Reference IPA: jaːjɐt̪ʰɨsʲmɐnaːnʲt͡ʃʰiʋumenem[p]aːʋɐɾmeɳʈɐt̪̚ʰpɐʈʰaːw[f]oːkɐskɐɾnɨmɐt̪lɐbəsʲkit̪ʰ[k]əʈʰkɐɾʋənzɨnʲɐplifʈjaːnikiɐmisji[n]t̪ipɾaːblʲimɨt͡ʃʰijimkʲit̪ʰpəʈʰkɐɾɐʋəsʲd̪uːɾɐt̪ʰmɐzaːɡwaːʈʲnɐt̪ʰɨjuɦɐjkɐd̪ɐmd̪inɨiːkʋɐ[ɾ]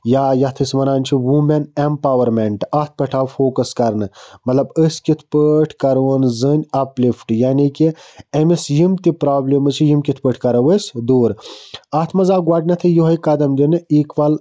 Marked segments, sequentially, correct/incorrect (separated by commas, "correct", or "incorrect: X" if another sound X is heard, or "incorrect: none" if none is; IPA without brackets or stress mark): correct, correct, incorrect: p, incorrect: m, incorrect: l